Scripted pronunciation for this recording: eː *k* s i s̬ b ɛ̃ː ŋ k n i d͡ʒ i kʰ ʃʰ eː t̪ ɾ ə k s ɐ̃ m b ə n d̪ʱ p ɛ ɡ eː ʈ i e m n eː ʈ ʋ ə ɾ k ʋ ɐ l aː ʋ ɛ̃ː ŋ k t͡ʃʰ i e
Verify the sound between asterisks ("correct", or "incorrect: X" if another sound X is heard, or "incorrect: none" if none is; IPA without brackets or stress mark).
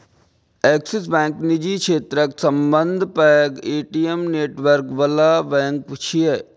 correct